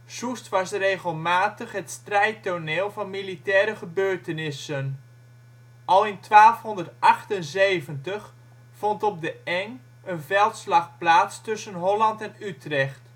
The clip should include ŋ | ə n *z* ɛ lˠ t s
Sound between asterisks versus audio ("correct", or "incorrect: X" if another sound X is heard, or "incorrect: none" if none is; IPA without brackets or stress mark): incorrect: v